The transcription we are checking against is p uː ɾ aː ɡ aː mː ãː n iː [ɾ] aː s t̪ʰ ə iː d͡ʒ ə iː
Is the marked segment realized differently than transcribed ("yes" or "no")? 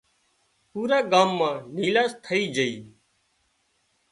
yes